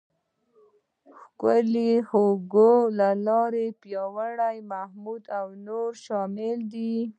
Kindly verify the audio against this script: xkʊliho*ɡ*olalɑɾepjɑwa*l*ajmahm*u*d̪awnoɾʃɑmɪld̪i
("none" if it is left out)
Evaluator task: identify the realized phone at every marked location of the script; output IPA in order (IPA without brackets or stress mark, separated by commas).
ɡ, ɽ, u